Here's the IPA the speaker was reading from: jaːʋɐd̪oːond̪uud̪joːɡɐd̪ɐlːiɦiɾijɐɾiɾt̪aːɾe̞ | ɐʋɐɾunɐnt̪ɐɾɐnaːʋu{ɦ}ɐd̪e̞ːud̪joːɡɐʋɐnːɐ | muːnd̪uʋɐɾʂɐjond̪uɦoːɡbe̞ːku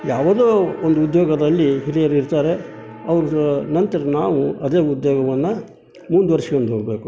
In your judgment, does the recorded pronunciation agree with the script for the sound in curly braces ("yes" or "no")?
no